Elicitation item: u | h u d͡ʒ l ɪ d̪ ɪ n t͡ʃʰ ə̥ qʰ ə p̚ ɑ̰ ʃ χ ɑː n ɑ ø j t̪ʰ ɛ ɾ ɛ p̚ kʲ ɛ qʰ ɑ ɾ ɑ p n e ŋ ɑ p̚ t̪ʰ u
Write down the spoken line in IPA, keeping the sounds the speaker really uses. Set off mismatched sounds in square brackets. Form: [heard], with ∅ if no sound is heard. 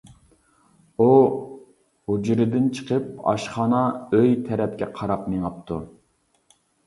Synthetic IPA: u | h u d͡ʒ [ɾ] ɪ d̪ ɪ n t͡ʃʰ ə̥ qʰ ə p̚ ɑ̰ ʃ χ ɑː n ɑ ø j t̪ʰ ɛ ɾ ɛ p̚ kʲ ɛ qʰ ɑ ɾ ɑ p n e ŋ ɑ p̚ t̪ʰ u